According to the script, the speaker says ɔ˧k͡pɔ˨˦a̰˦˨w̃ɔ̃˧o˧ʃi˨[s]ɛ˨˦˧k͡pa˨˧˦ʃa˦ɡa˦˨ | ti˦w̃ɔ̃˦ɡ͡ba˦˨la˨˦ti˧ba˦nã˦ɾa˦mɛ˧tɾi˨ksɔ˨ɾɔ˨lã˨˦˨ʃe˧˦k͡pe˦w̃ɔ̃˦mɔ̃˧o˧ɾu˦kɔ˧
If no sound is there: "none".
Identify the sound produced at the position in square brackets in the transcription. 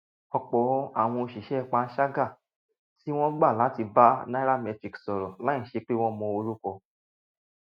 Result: ʃ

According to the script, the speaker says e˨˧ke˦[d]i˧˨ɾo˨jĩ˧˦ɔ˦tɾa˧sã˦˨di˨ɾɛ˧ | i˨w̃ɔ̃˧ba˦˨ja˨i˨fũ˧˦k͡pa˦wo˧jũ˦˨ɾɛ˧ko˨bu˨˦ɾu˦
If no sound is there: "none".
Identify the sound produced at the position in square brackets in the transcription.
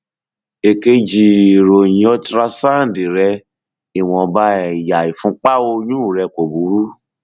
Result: d͡ʒ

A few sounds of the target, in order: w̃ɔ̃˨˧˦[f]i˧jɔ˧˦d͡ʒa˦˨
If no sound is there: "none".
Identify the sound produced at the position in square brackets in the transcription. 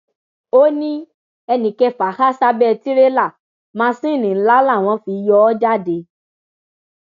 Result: f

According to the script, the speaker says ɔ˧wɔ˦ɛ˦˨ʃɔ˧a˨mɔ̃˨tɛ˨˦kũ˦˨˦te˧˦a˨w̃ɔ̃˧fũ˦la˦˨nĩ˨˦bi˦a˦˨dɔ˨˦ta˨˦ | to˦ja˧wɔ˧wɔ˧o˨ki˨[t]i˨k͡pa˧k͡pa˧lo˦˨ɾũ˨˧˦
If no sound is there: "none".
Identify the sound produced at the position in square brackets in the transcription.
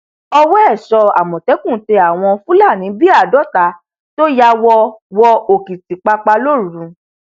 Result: t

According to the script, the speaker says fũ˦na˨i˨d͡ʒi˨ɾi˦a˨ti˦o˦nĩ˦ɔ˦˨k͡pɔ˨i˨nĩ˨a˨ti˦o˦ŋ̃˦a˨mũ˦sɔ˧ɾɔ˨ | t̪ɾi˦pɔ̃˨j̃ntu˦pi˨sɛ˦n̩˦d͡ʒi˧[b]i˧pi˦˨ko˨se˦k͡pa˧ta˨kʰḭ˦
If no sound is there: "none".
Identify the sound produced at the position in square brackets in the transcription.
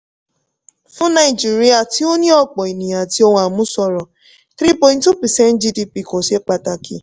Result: d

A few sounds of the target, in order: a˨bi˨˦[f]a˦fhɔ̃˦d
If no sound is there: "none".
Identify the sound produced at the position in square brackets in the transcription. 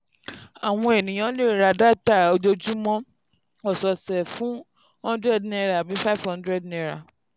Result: f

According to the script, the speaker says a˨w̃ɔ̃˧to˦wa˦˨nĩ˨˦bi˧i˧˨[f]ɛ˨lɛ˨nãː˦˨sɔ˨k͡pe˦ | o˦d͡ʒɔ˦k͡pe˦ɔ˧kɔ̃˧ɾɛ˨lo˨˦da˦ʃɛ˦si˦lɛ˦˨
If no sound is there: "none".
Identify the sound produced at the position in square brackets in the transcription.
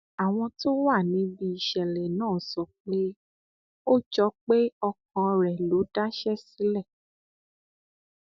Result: ʃ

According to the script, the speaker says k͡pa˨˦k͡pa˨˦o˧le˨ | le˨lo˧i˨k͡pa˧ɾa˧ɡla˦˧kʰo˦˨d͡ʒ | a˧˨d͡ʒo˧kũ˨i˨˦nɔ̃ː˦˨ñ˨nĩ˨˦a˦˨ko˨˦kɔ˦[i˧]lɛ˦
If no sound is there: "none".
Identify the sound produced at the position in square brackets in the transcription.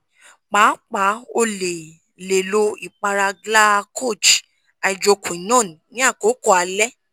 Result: a˧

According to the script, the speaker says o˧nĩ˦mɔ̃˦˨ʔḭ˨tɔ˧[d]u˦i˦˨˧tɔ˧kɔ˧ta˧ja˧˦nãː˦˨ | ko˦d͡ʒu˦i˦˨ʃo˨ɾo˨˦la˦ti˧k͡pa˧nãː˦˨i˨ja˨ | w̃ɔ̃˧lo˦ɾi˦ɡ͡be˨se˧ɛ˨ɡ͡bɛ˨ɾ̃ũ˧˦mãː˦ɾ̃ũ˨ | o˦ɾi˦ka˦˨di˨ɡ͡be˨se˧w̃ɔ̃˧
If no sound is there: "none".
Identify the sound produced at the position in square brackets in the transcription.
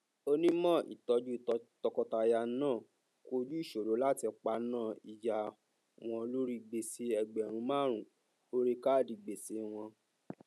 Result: d͡ʒ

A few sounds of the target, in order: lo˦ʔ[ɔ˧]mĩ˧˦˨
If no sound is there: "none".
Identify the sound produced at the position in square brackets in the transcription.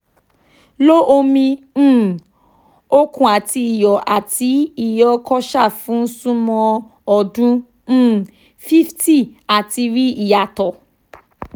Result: o˧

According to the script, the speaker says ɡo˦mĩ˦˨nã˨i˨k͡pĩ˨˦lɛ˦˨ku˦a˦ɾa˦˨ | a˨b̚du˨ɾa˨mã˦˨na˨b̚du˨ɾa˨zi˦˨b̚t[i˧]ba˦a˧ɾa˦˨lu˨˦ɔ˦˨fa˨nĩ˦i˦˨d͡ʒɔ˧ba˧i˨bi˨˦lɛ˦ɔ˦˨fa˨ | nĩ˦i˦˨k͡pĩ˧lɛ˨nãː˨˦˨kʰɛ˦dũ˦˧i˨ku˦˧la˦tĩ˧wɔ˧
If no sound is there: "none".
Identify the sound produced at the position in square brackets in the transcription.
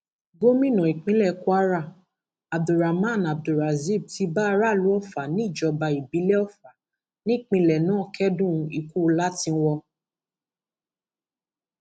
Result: i˧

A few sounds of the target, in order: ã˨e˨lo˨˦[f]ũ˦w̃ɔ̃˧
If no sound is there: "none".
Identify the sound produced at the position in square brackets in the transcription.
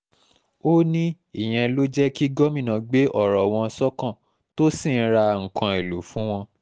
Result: f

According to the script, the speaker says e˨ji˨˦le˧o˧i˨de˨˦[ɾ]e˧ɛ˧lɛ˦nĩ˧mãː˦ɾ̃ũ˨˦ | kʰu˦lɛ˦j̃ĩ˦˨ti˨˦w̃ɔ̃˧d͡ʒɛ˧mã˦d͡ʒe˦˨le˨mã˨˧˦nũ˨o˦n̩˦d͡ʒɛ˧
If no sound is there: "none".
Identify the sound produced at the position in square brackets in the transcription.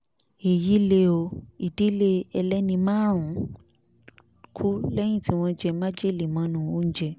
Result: l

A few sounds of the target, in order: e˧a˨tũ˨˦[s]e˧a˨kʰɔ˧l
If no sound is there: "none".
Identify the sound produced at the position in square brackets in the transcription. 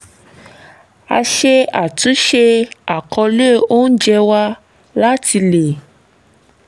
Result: ʃ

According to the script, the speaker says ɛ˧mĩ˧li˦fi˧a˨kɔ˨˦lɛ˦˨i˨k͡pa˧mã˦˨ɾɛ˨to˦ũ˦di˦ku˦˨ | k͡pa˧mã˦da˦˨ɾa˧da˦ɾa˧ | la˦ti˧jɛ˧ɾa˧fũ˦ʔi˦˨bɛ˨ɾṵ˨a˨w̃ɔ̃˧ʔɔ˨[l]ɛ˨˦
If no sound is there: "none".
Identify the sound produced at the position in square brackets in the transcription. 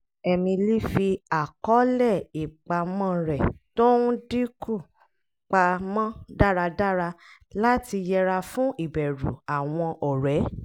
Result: ɾ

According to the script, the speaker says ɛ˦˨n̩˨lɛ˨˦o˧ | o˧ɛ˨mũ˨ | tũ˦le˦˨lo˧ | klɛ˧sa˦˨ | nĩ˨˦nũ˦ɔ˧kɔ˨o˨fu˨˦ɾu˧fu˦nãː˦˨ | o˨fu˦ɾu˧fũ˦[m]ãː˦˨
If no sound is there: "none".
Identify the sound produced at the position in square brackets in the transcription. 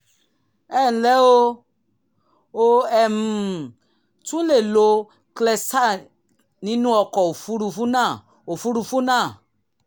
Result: n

